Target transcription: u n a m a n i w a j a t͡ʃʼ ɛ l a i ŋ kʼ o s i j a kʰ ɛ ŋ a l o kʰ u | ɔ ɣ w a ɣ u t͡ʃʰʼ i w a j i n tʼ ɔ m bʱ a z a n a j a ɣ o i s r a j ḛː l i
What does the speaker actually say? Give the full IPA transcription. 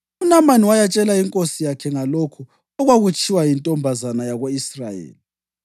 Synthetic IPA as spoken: u n a m a n i w a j a t͡ʃʼ ɛ l a i ŋ kʼ o s i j a kʰ ɛ ŋ a l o kʰ u | ɔ ɣ w a ɣ u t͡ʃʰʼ i w a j i n tʼ ɔ m bʱ a z a n a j a ɣ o i s r a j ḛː l i